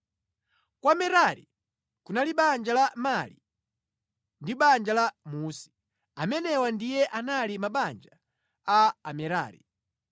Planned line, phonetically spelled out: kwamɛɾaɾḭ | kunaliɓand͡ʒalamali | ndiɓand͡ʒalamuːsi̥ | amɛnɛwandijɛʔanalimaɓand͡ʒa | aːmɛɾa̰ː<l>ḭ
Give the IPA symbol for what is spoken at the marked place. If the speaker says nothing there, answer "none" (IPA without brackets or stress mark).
ɾ